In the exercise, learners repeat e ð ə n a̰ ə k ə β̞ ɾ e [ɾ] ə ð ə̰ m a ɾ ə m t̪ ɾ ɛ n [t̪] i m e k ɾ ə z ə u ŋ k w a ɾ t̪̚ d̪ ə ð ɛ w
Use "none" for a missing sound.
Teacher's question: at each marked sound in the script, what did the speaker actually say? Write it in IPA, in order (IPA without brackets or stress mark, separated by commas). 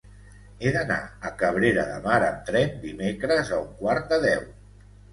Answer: ɾ, d̪